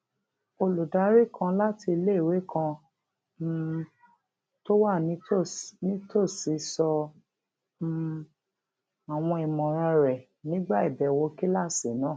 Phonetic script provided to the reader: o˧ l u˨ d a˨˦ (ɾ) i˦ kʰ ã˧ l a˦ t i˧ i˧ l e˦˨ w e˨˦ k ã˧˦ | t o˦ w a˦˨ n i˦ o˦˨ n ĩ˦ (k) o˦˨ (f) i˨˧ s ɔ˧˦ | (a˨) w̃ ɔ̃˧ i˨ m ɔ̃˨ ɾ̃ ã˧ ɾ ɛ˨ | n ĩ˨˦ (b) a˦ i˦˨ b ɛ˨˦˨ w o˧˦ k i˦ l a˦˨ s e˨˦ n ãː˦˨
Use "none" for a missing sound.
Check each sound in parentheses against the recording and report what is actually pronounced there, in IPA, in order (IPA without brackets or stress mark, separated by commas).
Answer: ɾ, t, s, a˨, ɡ͡b